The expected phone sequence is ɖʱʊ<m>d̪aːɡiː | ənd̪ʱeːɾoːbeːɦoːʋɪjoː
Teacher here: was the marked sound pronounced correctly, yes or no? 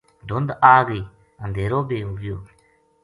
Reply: no